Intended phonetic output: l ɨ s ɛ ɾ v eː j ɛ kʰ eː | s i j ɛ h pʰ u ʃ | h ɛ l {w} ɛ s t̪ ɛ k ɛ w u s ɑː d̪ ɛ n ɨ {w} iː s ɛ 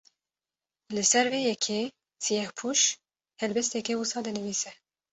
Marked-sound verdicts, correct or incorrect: incorrect: b, incorrect: v

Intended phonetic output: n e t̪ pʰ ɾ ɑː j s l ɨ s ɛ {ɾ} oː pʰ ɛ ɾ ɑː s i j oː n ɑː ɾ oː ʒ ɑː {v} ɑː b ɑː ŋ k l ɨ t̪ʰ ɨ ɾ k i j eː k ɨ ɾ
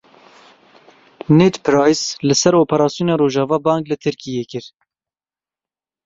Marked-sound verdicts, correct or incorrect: correct, correct

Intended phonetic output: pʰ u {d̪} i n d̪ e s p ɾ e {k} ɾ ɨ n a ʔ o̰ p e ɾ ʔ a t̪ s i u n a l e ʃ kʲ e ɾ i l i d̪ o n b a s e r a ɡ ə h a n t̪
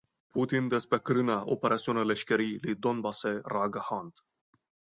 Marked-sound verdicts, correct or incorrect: incorrect: t̪, correct

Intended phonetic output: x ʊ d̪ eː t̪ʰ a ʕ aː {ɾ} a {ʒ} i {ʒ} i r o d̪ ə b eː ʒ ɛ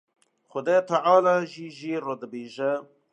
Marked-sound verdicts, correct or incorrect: incorrect: l, correct, correct

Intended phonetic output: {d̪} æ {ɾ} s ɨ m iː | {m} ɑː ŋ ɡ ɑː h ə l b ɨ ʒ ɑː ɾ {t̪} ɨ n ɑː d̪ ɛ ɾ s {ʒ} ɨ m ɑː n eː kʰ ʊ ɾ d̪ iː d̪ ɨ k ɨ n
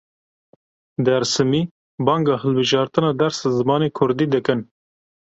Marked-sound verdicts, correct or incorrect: correct, correct, incorrect: b, correct, incorrect: z

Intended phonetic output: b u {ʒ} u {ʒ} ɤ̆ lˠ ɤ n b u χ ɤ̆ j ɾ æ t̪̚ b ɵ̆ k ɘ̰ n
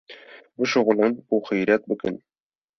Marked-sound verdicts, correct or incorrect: incorrect: ʃ, incorrect: ʁ

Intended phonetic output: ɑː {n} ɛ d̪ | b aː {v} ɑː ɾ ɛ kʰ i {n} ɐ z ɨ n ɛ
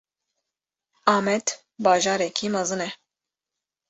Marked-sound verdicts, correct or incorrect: incorrect: m, incorrect: ʒ, incorrect: m

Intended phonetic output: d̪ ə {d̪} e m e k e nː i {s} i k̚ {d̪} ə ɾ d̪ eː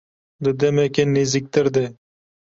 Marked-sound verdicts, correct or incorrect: correct, incorrect: z, incorrect: t̪

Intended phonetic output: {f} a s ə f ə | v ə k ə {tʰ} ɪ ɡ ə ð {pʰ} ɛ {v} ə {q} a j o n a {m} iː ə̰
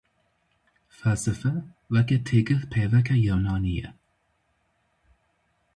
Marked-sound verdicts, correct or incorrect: correct, correct, correct, correct, incorrect: k, incorrect: n

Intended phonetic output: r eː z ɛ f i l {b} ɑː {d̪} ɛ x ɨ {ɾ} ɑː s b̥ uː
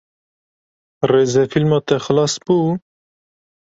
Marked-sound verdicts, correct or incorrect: incorrect: m, incorrect: t̪, incorrect: l

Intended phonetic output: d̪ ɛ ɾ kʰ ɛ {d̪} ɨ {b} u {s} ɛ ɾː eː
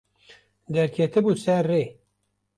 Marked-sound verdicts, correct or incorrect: incorrect: t̪, correct, correct

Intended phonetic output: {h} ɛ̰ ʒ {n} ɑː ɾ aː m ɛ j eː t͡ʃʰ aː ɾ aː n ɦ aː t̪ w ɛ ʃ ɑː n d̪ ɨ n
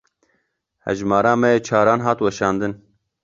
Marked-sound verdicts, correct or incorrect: correct, incorrect: m

